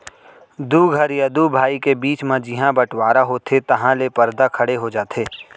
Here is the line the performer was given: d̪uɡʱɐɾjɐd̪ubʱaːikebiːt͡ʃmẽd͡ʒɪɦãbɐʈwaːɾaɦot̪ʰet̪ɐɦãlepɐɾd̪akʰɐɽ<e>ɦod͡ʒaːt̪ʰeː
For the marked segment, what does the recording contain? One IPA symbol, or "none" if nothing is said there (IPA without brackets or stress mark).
e